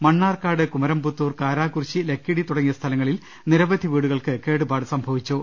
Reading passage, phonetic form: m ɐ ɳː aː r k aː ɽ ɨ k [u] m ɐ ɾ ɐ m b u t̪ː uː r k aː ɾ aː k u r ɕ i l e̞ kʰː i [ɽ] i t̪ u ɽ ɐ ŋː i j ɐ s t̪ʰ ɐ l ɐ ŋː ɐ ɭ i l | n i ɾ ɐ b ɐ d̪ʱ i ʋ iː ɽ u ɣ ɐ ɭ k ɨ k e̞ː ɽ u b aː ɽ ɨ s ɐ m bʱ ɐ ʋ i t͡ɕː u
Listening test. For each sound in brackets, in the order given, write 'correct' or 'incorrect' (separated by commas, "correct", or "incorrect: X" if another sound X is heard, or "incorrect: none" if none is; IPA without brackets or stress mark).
correct, correct